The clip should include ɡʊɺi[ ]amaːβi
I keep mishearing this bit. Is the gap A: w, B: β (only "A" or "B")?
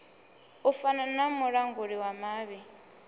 A